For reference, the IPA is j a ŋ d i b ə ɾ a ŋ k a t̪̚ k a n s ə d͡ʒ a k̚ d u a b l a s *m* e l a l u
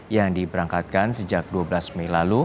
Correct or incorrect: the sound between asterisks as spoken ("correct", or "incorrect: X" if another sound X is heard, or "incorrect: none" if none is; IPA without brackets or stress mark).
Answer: correct